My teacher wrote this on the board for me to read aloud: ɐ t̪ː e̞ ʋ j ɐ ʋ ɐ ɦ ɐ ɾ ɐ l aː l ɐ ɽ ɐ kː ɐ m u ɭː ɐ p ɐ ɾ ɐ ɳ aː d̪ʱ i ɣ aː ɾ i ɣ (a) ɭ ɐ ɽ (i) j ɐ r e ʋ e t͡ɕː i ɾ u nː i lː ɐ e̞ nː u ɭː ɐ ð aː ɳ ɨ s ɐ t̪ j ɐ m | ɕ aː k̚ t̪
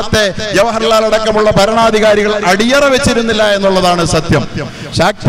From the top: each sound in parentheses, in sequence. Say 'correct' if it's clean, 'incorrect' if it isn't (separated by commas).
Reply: incorrect, correct